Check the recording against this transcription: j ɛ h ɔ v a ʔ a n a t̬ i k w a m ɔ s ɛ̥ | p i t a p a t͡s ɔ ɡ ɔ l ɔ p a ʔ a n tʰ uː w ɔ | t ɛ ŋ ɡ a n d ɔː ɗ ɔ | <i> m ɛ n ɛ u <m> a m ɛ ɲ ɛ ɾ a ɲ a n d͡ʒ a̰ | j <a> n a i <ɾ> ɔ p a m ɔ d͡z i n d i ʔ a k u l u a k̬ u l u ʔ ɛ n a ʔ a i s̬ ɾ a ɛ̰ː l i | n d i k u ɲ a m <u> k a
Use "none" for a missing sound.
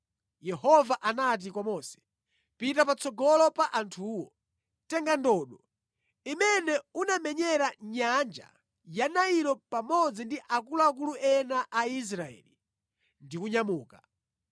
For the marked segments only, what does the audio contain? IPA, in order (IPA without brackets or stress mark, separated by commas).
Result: i, n, a, ɾ, uː